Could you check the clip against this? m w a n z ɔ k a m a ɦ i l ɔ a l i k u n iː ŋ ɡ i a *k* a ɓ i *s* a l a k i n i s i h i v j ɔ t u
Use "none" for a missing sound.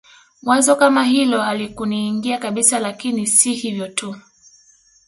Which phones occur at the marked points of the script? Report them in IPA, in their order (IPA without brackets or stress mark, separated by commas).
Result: k, s